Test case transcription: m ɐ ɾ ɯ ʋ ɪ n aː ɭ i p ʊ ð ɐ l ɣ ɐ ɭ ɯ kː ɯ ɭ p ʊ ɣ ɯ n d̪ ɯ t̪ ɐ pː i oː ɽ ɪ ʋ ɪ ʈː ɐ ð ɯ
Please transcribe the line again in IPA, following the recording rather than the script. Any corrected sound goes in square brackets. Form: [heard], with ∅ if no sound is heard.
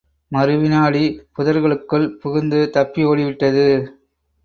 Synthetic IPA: m ɐ ɾ ɯ ʋ ɪ n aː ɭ i p ʊ ð ɐ [ɾ] ɣ ɐ ɭ ɯ kː ɯ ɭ p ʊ ɣ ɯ n d̪ ɯ t̪ ɐ pː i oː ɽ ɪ ʋ ɪ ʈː ɐ ð ɯ